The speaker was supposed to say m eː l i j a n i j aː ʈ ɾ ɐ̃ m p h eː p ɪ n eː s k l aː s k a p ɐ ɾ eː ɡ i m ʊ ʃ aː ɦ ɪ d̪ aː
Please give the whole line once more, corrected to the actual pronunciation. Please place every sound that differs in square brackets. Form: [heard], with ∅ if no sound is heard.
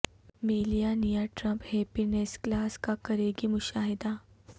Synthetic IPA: m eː l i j a n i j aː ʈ ɾ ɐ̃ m p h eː p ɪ n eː s k l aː s k a [k] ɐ ɾ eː ɡ i m ʊ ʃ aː ɦ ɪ d̪ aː